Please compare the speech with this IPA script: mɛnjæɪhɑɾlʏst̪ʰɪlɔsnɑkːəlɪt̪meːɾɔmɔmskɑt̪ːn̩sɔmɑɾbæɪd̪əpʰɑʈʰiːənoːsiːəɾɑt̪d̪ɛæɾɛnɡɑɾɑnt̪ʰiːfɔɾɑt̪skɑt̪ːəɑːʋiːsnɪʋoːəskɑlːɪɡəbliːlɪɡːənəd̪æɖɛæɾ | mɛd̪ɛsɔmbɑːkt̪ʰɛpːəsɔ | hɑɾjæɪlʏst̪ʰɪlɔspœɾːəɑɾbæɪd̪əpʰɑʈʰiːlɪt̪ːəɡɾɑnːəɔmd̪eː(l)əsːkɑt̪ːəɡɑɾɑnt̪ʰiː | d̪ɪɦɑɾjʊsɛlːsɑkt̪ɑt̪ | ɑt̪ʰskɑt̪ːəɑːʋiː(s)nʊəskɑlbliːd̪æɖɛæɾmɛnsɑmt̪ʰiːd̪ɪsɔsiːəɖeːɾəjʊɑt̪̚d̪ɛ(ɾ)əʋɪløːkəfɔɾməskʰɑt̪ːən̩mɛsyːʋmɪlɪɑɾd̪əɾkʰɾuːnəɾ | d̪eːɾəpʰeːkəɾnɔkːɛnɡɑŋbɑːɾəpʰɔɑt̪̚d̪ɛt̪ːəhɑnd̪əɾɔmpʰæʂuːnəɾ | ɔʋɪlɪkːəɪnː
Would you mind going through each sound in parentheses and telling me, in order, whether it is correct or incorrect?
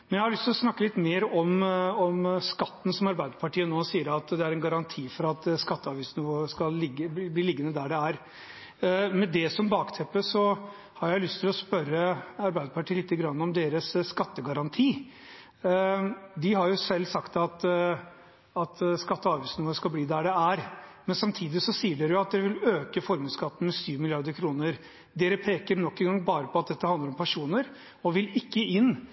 incorrect, correct, correct

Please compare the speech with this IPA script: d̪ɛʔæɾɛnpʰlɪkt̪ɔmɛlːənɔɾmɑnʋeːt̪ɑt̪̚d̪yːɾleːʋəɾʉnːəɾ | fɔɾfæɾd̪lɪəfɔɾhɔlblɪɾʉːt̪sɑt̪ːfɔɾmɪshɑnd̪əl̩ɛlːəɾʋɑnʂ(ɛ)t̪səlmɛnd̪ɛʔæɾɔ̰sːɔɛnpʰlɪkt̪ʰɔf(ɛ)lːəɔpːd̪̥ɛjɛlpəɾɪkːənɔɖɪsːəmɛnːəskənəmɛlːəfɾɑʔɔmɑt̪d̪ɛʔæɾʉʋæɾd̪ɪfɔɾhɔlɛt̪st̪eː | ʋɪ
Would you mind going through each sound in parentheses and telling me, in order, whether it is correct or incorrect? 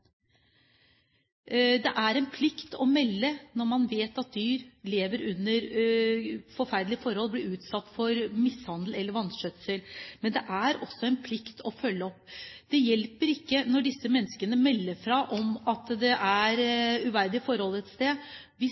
incorrect, incorrect

